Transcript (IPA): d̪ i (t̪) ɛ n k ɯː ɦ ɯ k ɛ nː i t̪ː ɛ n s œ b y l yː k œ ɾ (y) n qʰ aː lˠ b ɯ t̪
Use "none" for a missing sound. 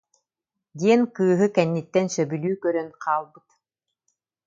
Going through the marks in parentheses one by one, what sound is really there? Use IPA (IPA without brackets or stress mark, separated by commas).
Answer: none, œ